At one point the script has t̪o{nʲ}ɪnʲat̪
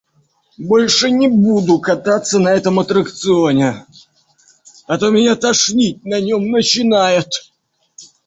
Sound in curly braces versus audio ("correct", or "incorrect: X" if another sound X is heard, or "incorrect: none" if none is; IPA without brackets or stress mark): incorrect: mʲ